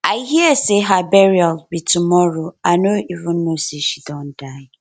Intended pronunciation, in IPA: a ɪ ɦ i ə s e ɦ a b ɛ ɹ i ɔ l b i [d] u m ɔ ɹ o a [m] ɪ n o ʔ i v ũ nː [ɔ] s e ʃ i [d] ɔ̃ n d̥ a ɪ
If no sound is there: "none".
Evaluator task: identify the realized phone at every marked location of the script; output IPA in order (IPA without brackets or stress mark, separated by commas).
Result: t, none, o, d